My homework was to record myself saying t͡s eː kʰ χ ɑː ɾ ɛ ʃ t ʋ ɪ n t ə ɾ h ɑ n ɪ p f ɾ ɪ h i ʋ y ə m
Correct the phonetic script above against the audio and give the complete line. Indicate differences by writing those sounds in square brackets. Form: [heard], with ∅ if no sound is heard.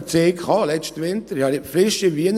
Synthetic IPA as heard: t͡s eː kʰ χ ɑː [l] ɛ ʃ t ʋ ɪ n t ə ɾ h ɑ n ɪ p f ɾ ɪ [ʃ] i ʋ [i] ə [n]

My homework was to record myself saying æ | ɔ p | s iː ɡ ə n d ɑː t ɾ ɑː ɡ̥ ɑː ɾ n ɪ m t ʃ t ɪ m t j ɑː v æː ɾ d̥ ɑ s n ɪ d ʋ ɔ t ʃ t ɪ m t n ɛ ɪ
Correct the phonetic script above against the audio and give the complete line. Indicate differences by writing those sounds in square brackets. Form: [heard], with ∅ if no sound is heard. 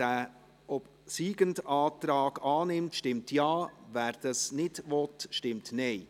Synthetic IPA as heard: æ | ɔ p | s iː ɡ ə n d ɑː t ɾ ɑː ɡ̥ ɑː [∅] n ɪ m t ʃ t ɪ m t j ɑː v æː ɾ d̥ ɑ s n ɪ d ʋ ɔ t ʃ t ɪ m t n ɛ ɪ

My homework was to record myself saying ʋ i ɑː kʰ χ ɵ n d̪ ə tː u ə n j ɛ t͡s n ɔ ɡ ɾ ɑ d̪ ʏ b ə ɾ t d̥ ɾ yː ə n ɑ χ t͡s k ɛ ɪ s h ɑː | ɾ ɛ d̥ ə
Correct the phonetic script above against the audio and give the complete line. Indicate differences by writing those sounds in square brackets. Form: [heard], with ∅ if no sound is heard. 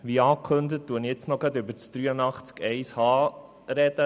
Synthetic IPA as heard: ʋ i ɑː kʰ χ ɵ n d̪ ə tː u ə n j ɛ t͡s n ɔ ɡ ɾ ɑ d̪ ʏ b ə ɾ [t͡s] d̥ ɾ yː ə n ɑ χ t͡s k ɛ ɪ s h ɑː | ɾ ɛ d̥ ə

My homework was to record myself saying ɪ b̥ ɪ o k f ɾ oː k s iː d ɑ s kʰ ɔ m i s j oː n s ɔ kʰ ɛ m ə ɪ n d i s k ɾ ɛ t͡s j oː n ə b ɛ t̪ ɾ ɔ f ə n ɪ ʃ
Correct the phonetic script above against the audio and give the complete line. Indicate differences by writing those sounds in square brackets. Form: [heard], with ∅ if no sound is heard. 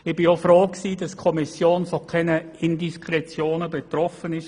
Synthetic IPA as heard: ɪ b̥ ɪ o [∅] f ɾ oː k s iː d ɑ s kʰ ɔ m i s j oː n [f] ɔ kʰ ɛ [n] ə ɪ n d i s k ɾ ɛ t͡s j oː n ə b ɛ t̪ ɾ ɔ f ə n ɪ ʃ

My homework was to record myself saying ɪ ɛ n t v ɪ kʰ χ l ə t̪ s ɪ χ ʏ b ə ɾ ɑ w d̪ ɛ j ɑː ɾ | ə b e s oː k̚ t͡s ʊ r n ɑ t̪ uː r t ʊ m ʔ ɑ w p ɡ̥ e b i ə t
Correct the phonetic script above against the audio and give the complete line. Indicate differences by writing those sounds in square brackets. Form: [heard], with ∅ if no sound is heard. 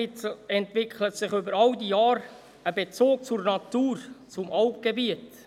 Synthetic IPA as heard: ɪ ɛ n t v ɪ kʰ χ l ə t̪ s ɪ χ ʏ b ə ɾ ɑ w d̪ [i] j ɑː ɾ | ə b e [t͡s] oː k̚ t͡s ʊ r n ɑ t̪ uː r [t͡s] ʊ m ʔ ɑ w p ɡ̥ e b i ə t

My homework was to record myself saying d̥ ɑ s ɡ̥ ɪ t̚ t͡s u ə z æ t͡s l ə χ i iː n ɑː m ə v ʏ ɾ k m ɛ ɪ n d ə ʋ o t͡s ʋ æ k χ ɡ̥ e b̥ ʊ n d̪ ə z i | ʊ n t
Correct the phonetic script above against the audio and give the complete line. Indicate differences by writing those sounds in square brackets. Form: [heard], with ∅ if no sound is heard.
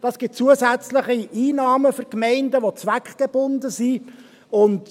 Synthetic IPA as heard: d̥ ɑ s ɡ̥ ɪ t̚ t͡s u ə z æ t͡s l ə χ i iː n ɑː m ə [f] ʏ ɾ k m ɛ ɪ n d ə ʋ o t͡s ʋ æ k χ ɡ̥ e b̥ ʊ n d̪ ə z i | ʊ n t

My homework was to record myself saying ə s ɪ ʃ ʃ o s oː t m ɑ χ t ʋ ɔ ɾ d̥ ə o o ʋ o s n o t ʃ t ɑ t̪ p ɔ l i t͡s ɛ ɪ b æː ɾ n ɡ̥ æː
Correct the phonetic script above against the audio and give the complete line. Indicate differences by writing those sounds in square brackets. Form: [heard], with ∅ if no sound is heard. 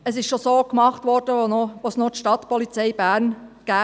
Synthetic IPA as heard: ə s ɪ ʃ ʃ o s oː [k] m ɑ χ t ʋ ɔ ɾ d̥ ə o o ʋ o s n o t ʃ t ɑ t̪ p ɔ l i t͡s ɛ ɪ b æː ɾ n ɡ̥ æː

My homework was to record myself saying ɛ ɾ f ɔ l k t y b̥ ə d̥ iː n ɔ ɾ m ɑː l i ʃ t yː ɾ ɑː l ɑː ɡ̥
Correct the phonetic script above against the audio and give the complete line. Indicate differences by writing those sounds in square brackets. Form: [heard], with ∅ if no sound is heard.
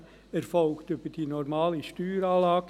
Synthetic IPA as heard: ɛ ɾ f ɔ l k t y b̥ ə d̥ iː n ɔ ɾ m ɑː l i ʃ t yː ɾ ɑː l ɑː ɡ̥

